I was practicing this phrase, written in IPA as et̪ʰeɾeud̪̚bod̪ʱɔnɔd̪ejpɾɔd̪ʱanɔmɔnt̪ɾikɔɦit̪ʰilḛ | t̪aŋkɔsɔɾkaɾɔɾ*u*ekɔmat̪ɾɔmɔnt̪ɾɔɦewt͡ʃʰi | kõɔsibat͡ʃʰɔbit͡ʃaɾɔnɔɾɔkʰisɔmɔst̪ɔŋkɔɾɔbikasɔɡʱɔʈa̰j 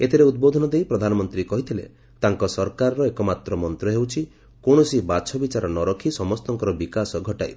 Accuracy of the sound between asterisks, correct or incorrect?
incorrect